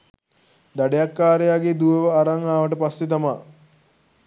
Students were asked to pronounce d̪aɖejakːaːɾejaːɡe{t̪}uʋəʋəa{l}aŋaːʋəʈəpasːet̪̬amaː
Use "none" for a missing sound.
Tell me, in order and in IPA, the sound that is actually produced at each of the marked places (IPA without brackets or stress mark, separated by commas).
d̪, ɾ